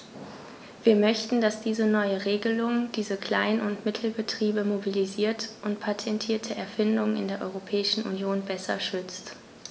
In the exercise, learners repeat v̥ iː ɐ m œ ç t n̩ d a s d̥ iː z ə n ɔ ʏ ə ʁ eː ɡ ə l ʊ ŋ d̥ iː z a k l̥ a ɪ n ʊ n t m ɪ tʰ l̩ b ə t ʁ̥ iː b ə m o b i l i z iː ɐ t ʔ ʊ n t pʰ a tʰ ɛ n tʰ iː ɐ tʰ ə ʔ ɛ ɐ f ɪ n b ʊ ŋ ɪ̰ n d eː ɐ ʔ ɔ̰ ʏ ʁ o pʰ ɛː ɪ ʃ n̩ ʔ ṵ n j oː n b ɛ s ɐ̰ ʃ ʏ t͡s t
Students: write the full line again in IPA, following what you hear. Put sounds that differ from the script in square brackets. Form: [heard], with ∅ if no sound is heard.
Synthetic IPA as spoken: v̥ iː ɐ m œ ç t n̩ d a s d̥ iː z ə n ɔ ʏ ə ʁ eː ɡ ə l ʊ ŋ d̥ iː z [ə] k l̥ a ɪ n ʊ n t m ɪ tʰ l̩ b ə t ʁ̥ iː b ə m o b i l i z iː ɐ t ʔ ʊ n t pʰ a tʰ ɛ n tʰ iː ɐ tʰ ə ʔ ɛ ɐ f ɪ n [d] ʊ ŋ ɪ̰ n d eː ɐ ʔ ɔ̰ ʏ ʁ o pʰ ɛː ɪ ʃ n̩ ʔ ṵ n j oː n b ɛ s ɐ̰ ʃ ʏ t͡s t

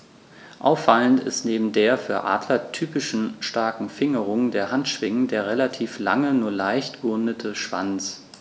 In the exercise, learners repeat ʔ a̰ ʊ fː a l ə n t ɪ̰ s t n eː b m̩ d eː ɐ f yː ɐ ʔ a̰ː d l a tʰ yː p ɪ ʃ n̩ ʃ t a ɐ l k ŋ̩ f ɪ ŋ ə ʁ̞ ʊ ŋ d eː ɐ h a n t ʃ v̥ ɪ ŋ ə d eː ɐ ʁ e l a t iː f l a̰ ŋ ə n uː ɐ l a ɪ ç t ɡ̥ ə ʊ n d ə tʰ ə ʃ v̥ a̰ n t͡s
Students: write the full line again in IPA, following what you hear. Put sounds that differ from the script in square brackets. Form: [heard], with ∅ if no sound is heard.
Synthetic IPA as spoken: ʔ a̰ ʊ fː a l ə n t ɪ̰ s t n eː b m̩ d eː ɐ f yː ɐ ʔ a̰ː d l [ɐ] tʰ yː p ɪ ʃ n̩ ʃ t a ɐ [∅] k ŋ̩ f ɪ ŋ ə ʁ̞ ʊ ŋ d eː ɐ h a n t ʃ v̥ ɪ ŋ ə d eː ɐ ʁ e l a [tʰ] iː f l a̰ ŋ ə n uː ɐ l a ɪ ç t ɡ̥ ə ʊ n d ə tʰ ə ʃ v̥ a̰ n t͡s

